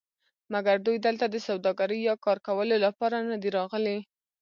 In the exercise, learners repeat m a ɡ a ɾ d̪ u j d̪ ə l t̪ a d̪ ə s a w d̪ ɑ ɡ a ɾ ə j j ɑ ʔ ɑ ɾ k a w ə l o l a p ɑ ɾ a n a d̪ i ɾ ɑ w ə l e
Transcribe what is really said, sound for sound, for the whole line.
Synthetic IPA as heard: m a ɡ a ɾ d̪ u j d̪ ə l t̪ a d̪ ə s a w d̪ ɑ ɡ a ɾ ə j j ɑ k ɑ ɾ k a w ə l o l a p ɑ ɾ a n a d̪ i ɾ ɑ ɣ ə l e